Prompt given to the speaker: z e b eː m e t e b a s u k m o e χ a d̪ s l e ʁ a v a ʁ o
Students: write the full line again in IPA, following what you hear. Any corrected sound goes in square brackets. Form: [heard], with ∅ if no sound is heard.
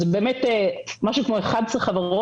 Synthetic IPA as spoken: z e b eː m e t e [m] a [ʃ] u k m o e χ a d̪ s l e [χ] a v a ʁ o